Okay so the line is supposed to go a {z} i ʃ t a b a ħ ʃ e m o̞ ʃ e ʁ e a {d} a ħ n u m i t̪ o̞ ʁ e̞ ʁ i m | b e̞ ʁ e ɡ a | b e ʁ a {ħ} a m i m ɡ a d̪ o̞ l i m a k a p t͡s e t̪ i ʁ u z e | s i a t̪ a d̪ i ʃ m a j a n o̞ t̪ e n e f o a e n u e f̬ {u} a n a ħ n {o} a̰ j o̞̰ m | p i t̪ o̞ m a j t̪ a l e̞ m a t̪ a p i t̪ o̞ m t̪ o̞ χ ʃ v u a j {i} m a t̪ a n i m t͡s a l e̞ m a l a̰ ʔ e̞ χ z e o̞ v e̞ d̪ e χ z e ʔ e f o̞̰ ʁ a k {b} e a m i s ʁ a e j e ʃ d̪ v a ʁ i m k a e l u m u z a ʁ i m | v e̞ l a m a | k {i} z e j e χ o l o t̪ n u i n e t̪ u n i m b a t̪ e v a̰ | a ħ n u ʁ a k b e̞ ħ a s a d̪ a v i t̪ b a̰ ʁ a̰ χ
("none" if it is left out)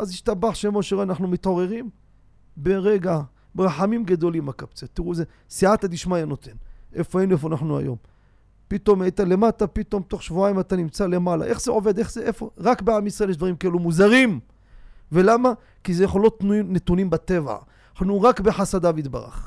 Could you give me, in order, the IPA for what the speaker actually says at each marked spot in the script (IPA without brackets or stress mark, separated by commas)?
z, n, ħ, o, u, i, b, i